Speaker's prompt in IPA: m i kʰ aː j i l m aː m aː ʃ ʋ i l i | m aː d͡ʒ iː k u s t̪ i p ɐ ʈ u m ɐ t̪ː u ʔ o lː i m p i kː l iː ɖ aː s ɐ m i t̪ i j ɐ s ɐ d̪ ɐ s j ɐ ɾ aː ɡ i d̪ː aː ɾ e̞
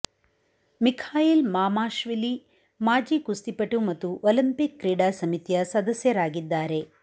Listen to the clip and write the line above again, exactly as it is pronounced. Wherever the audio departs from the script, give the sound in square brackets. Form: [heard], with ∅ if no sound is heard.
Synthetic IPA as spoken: m i kʰ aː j i l m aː m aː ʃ ʋ i l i | m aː d͡ʒ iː k u s t̪ i p ɐ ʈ u m ɐ t̪ː u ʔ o [l] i m p i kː [ɾ] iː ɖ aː s ɐ m i t̪ i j ɐ s ɐ d̪ ɐ s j ɐ ɾ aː ɡ i d̪ː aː ɾ e̞